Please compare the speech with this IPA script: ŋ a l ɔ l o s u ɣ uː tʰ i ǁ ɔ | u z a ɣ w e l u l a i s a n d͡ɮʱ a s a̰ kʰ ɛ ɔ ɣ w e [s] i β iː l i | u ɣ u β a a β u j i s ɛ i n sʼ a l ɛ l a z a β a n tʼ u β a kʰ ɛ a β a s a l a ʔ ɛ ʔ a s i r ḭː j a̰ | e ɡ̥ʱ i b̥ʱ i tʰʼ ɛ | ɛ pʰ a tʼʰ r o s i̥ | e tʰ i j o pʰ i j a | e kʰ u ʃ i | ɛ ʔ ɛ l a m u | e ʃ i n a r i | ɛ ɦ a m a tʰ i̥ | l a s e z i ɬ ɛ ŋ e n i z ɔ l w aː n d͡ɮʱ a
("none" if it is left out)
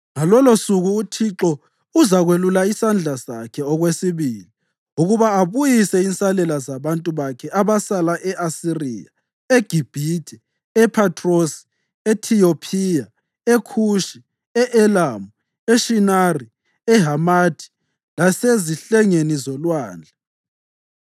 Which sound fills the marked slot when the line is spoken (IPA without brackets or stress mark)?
s